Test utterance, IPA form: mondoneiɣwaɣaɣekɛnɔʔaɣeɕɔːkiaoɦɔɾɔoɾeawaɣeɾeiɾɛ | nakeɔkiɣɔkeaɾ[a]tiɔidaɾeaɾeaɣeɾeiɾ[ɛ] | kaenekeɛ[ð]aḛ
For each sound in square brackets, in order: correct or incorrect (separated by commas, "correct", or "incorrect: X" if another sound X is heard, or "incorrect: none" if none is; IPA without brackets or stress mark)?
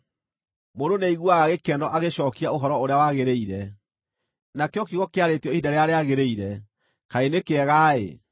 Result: incorrect: e, correct, incorrect: ɣ